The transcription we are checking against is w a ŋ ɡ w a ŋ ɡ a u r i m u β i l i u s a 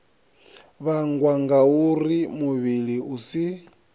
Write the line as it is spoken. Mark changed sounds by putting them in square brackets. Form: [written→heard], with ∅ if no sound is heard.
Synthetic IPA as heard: [w→β] a ŋ ɡ w a ŋ ɡ a u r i m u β i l i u s [a→i]